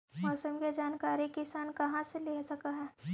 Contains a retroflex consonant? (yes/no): no